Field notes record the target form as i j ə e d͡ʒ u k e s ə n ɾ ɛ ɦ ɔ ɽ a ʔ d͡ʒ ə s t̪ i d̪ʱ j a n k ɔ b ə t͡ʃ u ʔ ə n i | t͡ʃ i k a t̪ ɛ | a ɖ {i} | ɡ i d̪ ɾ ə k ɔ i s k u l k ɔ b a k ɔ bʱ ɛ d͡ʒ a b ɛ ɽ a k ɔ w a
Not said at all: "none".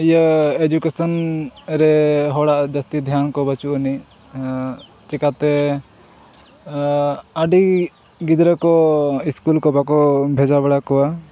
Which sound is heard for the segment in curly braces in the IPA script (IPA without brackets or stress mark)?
i